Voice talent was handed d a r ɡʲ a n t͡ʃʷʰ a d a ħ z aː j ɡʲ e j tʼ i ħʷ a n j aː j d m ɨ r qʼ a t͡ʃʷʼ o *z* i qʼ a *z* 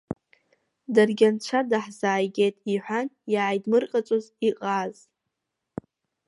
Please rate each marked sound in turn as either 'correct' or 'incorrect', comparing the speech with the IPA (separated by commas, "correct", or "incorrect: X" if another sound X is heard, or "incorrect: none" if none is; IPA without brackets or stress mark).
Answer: correct, correct